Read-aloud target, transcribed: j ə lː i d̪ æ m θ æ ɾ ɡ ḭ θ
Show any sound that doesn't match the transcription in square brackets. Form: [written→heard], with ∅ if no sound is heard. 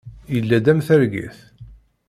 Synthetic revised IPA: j ə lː [i→æ] d̪ æ m θ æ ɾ ɡ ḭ θ